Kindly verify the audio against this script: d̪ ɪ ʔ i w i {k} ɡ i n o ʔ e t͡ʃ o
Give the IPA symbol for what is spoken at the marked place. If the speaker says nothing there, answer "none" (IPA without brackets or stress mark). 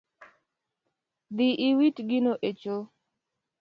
t